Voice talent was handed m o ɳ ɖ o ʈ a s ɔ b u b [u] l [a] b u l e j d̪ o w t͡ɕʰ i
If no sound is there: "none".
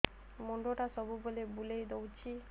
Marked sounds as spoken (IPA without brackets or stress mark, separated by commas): o, e